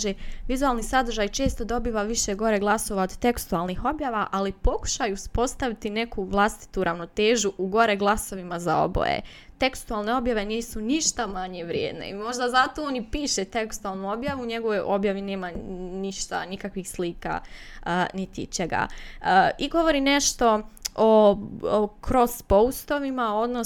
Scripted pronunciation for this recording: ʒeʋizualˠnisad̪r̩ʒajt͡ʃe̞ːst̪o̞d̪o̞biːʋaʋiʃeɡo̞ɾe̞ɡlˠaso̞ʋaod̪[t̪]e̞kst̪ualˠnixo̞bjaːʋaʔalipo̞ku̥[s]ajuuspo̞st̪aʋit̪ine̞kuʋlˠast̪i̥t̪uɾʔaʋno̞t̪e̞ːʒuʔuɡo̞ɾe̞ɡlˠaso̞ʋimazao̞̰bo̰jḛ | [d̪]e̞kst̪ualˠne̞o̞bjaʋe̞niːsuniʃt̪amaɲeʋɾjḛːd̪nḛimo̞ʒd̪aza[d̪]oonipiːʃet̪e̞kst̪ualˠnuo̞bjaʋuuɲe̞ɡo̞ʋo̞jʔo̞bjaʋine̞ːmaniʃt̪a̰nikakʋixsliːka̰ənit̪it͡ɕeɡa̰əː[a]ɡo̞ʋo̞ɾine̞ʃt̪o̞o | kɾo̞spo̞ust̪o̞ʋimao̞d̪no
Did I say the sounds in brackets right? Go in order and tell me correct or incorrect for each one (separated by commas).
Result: correct, incorrect, incorrect, incorrect, incorrect